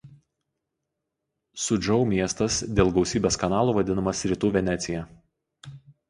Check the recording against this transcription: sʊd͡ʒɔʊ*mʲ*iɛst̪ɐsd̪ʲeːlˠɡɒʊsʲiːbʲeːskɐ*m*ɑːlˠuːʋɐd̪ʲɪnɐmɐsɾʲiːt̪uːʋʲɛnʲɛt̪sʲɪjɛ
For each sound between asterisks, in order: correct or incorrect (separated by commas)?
correct, incorrect